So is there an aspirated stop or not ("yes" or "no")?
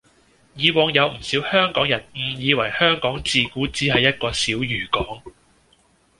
no